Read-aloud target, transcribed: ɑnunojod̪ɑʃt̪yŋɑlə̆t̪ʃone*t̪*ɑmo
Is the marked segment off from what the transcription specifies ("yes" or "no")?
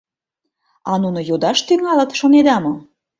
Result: yes